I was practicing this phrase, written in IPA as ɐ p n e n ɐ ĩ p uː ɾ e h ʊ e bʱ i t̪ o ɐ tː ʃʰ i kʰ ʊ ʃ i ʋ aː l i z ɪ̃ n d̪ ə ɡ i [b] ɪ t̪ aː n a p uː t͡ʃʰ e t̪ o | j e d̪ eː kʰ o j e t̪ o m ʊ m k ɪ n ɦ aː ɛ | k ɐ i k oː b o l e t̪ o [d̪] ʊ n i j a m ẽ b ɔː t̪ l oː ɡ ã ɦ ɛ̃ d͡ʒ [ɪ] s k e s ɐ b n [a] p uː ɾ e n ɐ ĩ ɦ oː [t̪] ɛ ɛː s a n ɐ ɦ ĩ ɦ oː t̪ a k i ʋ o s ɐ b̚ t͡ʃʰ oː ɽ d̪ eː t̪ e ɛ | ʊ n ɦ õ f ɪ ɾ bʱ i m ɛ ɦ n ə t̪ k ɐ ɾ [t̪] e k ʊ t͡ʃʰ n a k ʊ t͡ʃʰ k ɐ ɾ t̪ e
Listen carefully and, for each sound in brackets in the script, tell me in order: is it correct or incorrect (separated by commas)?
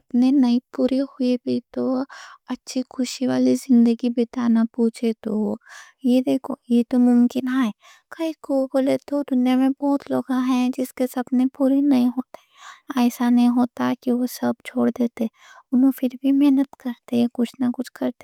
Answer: correct, correct, correct, incorrect, correct, correct